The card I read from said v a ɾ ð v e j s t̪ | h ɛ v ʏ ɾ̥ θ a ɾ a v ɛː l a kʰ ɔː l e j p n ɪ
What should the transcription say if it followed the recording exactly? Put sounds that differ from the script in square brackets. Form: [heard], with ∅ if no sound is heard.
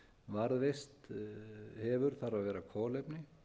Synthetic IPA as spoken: v a ɾ ð v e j s t̪ | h ɛ v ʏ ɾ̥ θ a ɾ a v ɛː [ɾ] a kʰ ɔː l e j p n ɪ